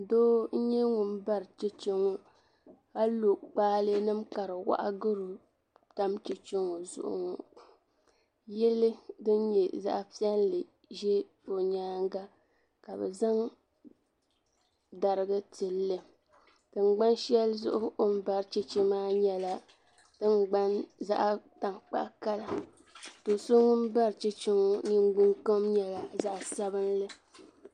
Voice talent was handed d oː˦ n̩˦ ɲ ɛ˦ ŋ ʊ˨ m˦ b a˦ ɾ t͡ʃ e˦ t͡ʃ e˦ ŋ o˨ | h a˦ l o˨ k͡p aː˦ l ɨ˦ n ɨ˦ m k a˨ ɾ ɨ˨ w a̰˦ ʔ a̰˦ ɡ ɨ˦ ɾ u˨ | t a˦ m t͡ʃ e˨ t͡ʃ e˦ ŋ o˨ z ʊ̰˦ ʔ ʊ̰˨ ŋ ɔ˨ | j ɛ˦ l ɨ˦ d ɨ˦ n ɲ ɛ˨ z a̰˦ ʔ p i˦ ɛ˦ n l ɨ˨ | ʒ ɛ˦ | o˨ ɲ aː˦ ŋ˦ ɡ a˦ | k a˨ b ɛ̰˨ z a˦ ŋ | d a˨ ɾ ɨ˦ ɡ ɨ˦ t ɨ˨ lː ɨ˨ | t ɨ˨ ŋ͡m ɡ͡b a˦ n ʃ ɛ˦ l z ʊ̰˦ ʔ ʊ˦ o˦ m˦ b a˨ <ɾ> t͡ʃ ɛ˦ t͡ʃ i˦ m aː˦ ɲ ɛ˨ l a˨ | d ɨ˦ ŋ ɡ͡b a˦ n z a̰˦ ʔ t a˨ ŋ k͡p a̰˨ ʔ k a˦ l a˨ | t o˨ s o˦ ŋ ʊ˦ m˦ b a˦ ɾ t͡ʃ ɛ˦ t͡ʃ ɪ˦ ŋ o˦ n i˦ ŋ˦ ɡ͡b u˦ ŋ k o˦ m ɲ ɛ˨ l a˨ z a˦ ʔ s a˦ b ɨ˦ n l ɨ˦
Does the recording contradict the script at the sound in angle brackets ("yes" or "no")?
no